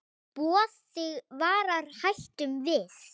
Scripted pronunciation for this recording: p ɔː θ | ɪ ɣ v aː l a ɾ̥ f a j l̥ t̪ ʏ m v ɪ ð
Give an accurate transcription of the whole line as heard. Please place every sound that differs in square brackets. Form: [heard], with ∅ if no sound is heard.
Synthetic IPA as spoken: p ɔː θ | ɪ ɣ v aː [ɾ] a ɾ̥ [h] a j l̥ t̪ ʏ m v ɪ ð